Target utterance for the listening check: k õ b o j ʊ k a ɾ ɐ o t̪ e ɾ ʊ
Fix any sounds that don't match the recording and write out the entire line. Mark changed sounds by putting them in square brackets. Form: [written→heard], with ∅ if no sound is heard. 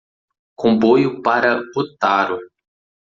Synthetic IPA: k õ b o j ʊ [k→p] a ɾ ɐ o t̪ [e→a] ɾ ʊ